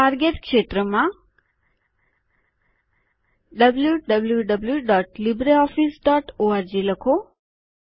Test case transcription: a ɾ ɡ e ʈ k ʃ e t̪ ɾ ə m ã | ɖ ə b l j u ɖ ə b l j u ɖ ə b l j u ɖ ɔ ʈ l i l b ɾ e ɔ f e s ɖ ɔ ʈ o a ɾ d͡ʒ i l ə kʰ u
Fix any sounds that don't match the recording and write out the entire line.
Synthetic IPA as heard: a ɾ ɡ e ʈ k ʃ e t̪ ɾ ə m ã | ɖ ə b l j u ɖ ə b l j u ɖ ə b l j u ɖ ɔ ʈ l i b ɾ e ɔ f i s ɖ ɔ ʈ o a ɾ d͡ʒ i l ə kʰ o